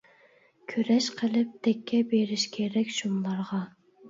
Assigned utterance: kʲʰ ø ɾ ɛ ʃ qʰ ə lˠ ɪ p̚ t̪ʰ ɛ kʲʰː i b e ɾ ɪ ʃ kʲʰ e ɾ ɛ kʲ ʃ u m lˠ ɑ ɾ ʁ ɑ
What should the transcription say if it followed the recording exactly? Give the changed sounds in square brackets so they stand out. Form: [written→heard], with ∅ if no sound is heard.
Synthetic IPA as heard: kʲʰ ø ɾ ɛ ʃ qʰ ə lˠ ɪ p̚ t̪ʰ ɛ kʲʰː [i→ɛ] b e ɾ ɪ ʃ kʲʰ e ɾ ɛ kʲ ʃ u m lˠ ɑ ɾ ʁ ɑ